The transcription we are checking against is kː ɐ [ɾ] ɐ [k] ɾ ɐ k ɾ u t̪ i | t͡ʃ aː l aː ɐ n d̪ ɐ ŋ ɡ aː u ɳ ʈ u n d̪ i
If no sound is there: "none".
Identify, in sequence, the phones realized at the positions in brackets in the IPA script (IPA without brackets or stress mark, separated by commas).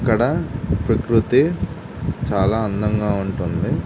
ɽ, p